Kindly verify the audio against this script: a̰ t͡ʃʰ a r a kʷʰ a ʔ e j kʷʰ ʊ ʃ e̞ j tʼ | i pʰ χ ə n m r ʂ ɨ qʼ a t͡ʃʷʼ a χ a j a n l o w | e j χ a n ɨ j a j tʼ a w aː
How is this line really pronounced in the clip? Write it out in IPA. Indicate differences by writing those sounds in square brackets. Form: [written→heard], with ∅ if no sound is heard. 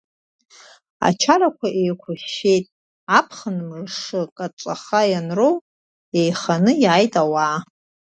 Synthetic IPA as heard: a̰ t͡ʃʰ a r a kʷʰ a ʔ e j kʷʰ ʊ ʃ e̞ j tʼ | [i→a] pʰ χ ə n m r ʂ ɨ [qʼ→kʼ] a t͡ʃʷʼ a χ a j a n [l→r] o w | e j χ a n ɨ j a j tʼ a w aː